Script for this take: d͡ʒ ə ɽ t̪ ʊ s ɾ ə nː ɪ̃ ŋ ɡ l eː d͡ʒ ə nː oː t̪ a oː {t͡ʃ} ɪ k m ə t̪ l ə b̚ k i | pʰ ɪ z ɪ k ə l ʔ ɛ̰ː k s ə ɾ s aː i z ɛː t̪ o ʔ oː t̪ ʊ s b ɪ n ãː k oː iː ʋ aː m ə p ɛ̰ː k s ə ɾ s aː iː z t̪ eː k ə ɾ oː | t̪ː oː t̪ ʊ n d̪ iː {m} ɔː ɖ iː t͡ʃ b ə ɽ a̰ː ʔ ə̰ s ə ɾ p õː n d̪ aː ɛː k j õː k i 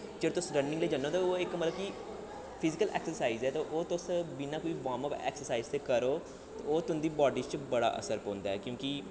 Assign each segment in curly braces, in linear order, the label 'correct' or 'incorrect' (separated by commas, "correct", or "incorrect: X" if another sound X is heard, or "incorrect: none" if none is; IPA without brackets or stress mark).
incorrect: none, incorrect: b